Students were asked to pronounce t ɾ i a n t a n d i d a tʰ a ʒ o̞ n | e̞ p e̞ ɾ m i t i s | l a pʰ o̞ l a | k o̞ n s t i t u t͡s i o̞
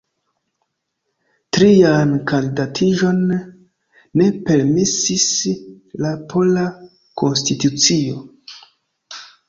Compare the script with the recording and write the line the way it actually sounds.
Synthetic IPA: t ɾ i a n k a n d i d a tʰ i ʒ o̞ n | e̞ p e̞ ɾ m i s i s | l a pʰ o̞ l a | k o̞ n s t i t u t͡s i o̞